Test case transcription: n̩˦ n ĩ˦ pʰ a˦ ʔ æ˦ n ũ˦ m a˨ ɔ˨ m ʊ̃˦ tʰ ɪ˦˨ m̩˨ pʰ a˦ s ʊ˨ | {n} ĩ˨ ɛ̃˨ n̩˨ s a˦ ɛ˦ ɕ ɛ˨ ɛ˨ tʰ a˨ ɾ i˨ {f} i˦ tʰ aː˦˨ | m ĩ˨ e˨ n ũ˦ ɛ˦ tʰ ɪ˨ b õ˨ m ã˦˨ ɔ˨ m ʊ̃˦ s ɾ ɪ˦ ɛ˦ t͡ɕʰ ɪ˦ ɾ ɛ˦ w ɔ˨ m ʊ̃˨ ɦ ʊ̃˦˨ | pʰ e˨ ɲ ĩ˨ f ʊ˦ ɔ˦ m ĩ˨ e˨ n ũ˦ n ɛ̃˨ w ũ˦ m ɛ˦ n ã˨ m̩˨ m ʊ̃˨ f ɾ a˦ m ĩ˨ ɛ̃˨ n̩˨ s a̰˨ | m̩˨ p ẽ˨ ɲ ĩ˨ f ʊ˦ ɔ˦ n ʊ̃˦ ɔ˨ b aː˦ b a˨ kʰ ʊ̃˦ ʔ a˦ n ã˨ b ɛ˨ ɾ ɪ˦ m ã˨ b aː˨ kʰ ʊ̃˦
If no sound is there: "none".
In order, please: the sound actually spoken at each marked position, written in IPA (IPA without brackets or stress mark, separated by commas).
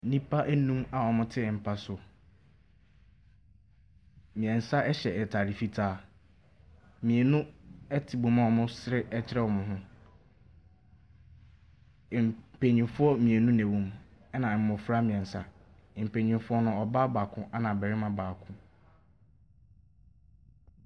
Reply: m, f